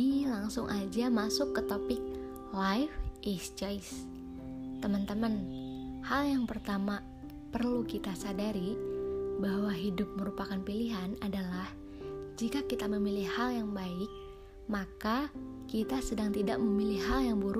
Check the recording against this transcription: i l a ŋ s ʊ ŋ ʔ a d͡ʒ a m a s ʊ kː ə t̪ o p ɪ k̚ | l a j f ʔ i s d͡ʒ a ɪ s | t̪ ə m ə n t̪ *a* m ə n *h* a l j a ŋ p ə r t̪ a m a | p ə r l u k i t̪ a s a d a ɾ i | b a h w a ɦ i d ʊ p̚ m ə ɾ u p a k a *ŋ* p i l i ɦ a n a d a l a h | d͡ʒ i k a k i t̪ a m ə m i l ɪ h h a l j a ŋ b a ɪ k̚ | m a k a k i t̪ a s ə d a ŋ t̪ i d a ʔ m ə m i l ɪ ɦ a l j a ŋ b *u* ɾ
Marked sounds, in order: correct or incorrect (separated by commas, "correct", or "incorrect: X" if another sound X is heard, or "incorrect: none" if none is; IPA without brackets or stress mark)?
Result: incorrect: ə, correct, incorrect: n, correct